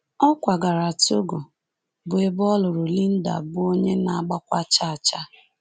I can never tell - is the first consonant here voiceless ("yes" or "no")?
yes